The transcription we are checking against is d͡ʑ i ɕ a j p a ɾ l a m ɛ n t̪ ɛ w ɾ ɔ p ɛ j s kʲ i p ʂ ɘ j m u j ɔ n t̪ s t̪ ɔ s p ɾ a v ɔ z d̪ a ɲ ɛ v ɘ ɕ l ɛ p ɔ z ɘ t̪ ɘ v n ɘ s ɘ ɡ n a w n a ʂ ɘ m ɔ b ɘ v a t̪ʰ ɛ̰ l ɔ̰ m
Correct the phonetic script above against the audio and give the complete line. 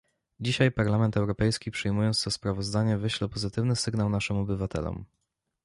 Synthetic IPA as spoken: d͡ʑ i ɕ a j p a ɾ l a m ɛ n t̪ ɛ w ɾ ɔ p ɛ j s kʲ i p ʂ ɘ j m u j ɔ n t̪ s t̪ ɔ s p ɾ a v ɔ z d̪ a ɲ ɛ v ɘ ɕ l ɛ p ɔ z ɘ t̪ ɘ v n ɘ s ɘ ɡ n a w n a ʂ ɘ m ɔ b ɘ v a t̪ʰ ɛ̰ l ɔ̰ m